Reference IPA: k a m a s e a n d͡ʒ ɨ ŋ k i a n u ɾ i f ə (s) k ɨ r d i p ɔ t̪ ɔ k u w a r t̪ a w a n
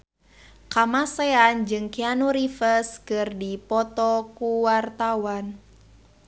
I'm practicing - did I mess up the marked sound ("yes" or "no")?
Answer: no